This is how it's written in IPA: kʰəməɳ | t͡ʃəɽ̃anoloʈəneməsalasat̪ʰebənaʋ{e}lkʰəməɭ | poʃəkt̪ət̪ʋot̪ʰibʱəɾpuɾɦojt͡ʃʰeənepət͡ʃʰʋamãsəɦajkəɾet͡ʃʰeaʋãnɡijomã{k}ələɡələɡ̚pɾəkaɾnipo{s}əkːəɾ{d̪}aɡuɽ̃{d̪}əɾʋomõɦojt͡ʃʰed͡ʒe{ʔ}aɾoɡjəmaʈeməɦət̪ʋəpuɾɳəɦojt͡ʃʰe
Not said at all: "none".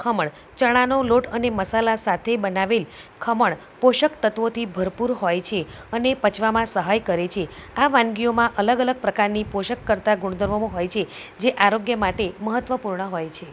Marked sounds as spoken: e, ʔ, ʃ, t̪, d̪, ʔ

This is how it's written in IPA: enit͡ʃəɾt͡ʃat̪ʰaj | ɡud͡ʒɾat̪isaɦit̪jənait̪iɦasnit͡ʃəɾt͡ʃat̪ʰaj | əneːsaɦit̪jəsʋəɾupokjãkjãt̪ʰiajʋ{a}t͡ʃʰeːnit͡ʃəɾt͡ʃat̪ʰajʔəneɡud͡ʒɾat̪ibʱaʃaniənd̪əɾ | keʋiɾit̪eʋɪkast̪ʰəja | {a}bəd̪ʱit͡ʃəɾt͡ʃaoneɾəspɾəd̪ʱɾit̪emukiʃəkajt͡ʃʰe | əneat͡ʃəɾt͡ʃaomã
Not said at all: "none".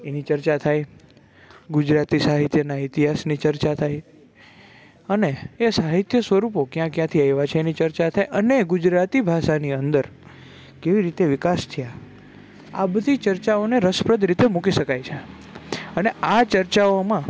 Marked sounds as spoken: a, a

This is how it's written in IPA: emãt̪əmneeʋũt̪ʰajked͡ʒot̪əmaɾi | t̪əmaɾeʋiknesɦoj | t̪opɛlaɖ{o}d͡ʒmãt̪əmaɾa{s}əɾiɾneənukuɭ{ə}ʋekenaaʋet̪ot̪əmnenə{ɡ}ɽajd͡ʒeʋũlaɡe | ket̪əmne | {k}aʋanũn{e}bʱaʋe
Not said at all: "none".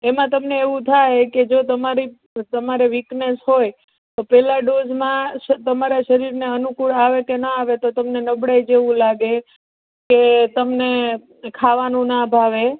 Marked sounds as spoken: o, ʃ, a, b, kʰ, a

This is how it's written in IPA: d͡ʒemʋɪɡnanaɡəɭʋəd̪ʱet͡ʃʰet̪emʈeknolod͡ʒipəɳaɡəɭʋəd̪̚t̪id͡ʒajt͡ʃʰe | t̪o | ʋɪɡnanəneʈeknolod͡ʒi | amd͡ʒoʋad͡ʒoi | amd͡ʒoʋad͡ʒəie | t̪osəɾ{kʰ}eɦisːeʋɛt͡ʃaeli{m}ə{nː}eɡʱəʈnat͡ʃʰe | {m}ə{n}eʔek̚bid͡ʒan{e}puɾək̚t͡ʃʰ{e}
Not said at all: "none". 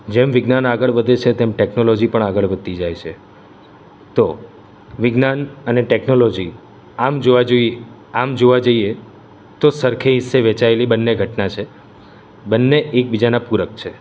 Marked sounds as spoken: kʰ, b, nː, b, nː, a, e

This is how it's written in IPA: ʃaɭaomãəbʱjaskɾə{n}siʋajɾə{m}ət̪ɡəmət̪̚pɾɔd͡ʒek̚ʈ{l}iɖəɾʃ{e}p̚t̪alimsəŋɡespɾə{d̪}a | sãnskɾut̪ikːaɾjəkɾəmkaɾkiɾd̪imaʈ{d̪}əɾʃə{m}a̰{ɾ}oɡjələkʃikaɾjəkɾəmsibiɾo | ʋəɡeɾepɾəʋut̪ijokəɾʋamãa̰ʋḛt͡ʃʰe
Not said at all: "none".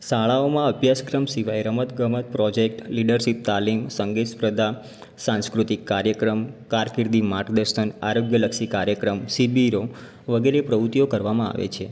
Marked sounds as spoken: m, m, l, i, d̪, d̪, n, ɾ

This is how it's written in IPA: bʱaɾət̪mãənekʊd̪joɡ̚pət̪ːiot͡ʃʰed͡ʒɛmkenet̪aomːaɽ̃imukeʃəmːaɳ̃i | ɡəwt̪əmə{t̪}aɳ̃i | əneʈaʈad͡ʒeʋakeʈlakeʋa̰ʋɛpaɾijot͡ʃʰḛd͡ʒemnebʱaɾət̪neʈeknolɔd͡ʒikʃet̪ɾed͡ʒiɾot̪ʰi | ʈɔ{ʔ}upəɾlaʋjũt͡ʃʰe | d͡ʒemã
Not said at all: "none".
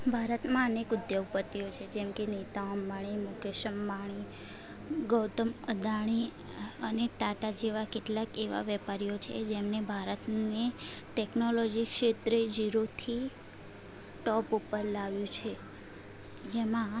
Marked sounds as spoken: d̪, p

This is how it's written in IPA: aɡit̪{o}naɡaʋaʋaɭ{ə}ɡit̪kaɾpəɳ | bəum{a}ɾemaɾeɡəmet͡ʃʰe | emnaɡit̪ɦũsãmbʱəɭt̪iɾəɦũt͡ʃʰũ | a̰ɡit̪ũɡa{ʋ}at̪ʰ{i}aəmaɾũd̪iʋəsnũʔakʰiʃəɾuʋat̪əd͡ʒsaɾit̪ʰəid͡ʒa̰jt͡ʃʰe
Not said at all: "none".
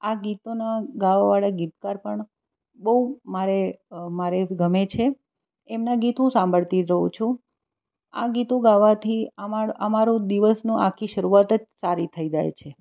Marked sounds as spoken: o, a, a, ʋ, i

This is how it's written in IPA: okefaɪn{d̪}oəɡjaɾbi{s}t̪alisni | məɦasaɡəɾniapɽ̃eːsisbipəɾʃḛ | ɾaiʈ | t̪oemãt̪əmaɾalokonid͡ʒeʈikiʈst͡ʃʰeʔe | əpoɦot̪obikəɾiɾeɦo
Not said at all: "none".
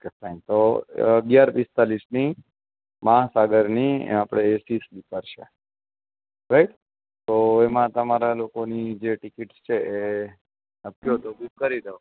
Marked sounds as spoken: t̪, s

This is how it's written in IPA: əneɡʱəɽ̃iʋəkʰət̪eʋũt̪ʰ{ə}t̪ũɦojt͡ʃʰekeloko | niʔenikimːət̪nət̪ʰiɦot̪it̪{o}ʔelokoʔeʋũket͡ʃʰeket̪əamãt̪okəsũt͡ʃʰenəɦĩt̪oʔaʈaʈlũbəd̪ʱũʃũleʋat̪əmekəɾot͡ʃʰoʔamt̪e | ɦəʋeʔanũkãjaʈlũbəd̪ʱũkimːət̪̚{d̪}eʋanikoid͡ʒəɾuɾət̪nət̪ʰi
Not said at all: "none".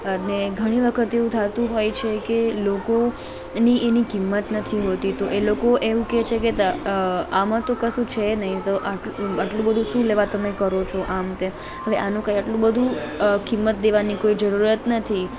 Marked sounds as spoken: a, o, d̪

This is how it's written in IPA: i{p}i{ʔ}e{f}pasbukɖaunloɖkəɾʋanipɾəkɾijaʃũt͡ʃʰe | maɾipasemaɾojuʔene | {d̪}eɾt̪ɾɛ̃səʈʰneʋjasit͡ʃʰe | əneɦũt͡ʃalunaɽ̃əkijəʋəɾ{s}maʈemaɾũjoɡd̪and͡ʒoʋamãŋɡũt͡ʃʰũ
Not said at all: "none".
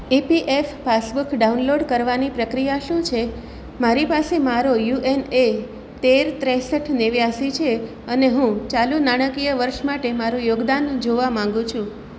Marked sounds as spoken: p, ʔ, f, t̪, ʃ

